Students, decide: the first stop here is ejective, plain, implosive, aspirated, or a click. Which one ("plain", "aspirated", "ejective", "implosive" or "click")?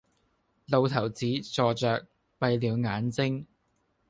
aspirated